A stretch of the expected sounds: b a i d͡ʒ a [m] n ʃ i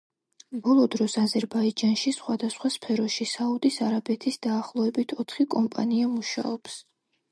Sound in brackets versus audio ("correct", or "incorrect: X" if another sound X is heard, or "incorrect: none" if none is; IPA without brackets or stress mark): incorrect: none